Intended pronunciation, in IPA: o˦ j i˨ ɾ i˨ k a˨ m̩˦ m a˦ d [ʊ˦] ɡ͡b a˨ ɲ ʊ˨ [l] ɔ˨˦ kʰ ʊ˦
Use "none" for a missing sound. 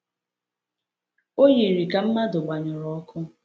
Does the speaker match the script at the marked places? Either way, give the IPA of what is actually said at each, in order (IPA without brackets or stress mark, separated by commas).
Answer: ʊ˨, ɾ